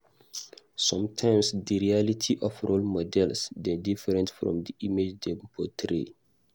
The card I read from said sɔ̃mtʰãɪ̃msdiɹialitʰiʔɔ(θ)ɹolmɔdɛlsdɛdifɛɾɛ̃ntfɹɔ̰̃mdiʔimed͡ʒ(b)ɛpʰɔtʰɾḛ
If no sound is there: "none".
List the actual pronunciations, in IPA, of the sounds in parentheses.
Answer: f, d

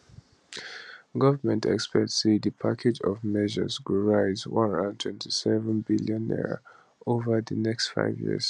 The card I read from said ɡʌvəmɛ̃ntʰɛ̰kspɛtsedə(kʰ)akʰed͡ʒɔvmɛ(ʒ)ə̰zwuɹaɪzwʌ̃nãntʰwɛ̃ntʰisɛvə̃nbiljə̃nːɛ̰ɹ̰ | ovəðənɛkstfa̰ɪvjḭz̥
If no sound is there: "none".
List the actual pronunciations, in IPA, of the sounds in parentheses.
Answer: pʰ, ʒ

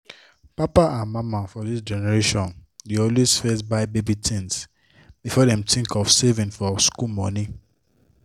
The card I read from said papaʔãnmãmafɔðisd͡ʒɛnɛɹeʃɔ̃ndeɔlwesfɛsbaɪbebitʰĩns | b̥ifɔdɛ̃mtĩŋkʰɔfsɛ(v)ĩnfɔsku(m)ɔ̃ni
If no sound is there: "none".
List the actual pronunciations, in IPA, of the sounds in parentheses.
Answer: v, m

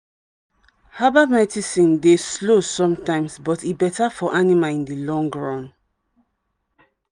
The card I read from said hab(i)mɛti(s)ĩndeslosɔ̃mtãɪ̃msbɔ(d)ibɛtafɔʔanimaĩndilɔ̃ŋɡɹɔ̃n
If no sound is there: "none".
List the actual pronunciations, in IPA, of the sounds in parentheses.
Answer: a, s, t

